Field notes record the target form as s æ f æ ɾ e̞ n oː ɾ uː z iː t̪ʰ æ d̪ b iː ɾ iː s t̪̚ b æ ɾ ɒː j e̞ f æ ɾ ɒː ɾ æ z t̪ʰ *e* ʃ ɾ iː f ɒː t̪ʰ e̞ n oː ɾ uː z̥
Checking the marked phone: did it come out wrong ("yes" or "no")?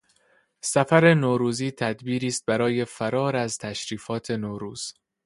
yes